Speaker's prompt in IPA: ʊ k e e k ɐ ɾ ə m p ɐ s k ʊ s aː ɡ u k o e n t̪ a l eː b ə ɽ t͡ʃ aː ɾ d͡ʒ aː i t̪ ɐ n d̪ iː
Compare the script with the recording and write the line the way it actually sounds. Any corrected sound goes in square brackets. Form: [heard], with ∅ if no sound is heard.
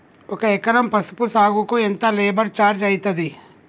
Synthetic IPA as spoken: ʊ k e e k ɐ ɾ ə m p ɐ s [p] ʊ s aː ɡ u k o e n t̪ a l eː b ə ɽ t͡ʃ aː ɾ d͡ʒ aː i t̪ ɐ [∅] d̪ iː